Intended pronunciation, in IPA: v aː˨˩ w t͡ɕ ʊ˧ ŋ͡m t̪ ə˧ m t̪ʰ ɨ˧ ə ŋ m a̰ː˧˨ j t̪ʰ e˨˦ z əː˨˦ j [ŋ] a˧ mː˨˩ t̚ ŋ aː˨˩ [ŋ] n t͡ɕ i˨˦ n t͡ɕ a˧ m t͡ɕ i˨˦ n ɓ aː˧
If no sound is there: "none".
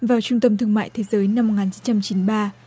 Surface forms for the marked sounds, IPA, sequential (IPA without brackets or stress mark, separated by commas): n, none